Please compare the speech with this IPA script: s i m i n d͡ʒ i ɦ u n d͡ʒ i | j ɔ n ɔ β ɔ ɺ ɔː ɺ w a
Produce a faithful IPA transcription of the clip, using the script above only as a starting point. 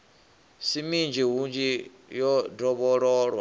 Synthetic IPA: s i m i n d͡ʒ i ɦ u n d͡ʒ i | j ɔ d ɔ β ɔ ɺ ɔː ɺ w a